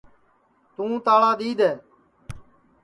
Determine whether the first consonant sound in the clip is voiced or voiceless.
voiceless